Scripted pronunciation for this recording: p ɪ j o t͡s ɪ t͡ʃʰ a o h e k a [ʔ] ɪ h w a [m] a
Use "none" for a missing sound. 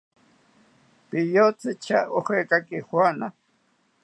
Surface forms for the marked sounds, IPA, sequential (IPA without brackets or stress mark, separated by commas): k, n